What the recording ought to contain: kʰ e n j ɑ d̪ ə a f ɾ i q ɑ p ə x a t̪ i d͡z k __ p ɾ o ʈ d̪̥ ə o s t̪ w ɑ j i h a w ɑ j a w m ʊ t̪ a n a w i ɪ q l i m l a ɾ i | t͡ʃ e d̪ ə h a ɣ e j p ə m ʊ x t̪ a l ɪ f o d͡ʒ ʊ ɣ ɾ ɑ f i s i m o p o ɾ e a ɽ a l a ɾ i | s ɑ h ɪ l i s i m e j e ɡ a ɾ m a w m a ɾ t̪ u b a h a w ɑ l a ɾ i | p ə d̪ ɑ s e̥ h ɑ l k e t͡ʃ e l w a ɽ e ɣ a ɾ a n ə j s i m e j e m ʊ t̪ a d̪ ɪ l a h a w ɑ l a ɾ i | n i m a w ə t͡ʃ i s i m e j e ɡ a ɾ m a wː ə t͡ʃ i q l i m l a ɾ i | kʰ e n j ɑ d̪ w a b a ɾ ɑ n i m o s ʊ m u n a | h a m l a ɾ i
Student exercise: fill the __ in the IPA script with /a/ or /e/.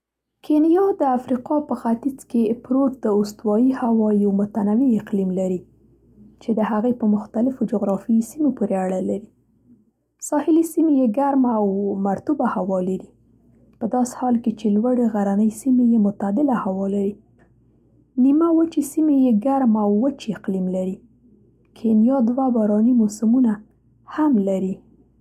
e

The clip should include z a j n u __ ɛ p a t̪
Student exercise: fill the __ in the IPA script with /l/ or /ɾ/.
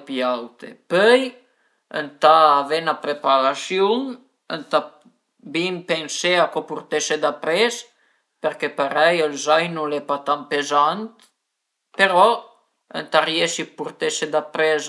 l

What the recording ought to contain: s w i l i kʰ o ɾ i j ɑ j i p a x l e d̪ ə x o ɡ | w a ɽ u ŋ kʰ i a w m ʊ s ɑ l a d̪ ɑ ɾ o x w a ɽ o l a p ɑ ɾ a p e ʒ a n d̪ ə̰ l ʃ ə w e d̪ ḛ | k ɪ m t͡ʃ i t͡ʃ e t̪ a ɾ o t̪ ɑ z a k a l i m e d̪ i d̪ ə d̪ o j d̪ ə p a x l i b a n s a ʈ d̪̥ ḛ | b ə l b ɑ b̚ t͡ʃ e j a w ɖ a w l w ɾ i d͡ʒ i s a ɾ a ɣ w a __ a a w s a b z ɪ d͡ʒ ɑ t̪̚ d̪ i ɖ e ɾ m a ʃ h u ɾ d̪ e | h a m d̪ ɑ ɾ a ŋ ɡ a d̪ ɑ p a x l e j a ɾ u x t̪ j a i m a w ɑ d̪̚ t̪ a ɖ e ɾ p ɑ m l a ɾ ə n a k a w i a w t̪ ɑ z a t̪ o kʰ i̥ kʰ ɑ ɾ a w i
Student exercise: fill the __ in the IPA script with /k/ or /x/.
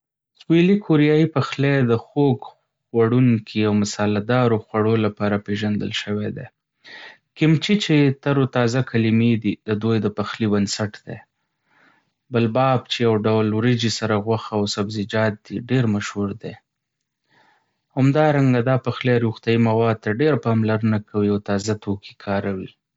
x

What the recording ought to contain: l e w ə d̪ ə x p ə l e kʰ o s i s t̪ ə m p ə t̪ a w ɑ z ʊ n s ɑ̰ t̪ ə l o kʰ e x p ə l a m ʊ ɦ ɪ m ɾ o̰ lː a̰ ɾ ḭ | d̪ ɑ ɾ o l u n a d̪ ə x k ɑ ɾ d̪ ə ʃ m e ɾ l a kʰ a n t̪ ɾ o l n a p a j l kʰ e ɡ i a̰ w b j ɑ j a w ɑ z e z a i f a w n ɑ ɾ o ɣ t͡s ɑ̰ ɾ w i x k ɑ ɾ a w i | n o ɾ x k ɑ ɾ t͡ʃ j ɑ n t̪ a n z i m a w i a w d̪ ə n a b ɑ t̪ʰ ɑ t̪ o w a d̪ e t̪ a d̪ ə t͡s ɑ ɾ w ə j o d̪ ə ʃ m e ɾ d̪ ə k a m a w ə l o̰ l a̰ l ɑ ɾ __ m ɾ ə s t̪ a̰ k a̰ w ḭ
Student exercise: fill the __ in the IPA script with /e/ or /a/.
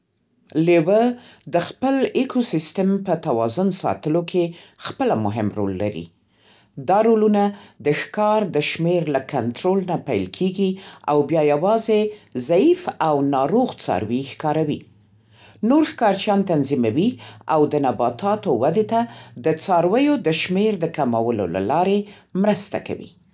e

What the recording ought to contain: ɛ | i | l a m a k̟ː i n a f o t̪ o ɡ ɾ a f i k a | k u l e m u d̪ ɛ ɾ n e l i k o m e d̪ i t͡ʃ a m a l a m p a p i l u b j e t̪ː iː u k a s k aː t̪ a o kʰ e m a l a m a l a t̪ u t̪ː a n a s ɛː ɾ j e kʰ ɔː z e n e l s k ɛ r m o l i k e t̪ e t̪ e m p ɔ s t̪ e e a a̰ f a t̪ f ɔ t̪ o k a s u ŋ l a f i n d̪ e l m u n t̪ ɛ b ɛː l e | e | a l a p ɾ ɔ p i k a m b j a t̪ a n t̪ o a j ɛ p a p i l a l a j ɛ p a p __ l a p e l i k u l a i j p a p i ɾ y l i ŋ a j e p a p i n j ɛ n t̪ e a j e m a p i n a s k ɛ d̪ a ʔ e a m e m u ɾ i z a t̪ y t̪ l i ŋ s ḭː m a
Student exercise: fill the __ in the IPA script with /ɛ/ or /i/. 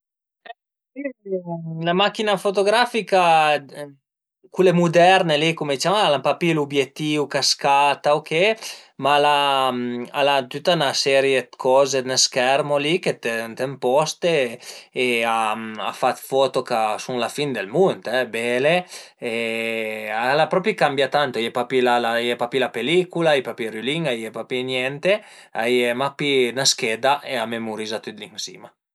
i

